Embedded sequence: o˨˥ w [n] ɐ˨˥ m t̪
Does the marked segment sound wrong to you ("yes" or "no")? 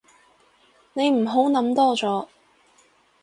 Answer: no